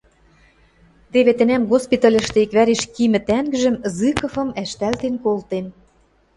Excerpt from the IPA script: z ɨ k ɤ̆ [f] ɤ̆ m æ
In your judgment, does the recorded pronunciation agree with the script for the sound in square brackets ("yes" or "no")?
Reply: yes